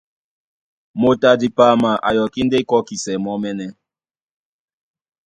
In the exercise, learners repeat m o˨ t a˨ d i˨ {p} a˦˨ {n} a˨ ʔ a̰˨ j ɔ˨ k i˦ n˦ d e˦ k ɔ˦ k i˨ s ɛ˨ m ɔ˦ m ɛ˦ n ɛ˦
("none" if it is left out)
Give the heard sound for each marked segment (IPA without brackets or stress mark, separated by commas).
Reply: p, m